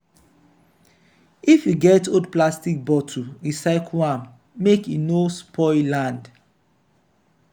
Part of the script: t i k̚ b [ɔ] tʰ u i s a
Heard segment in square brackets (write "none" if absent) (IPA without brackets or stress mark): ɔ